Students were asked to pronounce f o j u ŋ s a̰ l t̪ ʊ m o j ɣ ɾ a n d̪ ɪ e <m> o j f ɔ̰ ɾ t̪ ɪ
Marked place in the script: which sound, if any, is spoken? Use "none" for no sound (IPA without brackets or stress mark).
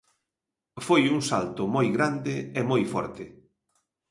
m